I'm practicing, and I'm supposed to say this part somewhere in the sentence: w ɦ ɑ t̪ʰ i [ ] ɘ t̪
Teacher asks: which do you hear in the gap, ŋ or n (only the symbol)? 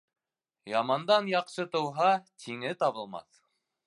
ŋ